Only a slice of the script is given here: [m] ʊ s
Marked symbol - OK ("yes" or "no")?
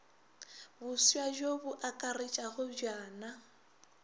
no